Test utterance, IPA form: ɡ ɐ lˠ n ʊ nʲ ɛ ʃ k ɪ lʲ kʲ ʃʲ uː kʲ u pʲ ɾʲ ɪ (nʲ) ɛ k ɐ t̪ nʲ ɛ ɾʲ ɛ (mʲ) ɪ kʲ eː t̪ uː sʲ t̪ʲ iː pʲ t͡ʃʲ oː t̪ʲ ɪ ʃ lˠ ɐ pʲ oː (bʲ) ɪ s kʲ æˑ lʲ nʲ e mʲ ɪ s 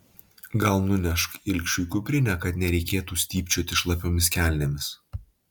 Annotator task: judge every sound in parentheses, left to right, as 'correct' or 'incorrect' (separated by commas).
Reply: correct, incorrect, incorrect